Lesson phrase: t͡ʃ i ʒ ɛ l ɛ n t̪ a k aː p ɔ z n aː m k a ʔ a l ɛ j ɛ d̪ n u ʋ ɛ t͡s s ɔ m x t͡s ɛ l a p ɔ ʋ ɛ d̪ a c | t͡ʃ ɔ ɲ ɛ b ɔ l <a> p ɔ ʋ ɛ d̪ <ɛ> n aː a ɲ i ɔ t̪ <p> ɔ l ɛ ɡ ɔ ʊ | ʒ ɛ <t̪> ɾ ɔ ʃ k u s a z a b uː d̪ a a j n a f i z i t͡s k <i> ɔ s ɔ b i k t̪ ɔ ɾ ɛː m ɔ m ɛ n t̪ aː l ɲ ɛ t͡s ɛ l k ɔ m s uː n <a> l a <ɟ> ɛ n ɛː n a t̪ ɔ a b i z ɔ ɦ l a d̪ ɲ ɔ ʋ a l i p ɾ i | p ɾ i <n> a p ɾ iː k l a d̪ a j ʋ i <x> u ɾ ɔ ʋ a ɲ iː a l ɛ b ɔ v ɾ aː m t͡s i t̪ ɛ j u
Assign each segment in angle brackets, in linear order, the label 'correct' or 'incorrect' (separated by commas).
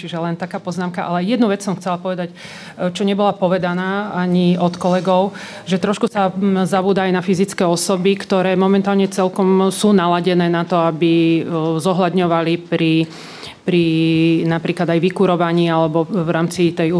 correct, incorrect, incorrect, correct, incorrect, correct, correct, correct, incorrect